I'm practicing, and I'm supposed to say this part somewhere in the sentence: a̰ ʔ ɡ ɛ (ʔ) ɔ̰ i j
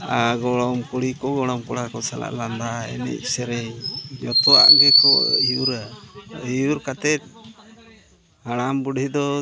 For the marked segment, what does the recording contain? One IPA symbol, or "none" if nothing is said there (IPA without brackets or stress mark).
k